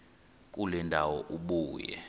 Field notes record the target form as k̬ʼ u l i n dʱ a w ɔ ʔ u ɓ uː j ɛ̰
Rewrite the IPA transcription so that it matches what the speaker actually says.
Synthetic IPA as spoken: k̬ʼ u l ɛ n dʱ a w ɔ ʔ u ɓ uː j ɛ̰